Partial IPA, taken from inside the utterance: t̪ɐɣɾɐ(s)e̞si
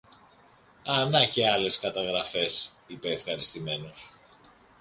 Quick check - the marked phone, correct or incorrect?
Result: incorrect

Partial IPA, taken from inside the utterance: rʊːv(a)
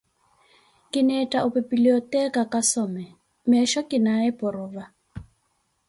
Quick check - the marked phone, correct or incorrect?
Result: correct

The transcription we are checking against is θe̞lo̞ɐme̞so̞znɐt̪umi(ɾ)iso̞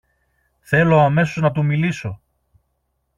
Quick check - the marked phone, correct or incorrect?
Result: incorrect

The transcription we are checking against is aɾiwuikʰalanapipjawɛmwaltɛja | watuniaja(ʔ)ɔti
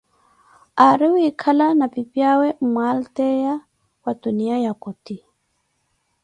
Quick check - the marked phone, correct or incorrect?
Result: incorrect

